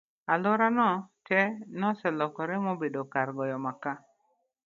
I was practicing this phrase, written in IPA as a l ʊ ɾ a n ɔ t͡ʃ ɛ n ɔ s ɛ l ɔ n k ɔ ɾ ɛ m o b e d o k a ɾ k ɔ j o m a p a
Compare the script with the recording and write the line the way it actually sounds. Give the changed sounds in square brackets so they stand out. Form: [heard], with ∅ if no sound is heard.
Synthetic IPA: a l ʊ ɾ a n ɔ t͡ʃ ɛ n ɔ s ɛ l ɔ [∅] k ɔ ɾ ɛ m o b e d o k a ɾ [ɡ] ɔ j [ɔ] m a [k] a